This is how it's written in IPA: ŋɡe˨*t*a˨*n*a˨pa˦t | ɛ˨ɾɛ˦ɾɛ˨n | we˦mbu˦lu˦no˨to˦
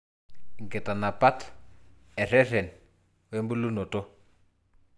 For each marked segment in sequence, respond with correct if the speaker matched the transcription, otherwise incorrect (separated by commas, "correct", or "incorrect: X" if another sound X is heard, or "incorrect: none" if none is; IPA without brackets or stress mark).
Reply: correct, correct